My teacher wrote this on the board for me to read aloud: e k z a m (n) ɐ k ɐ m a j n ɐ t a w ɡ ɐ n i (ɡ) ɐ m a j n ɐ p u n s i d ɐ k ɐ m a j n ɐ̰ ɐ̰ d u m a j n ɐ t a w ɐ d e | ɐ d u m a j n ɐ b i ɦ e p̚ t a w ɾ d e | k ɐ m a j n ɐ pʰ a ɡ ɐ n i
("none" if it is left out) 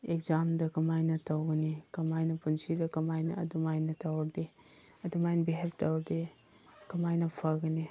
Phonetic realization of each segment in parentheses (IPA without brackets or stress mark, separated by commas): d, k